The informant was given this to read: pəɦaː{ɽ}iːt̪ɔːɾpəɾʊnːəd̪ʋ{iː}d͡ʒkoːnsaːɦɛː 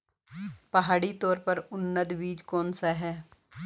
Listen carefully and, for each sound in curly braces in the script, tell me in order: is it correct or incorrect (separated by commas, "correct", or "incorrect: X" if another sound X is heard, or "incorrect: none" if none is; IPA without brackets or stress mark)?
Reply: correct, correct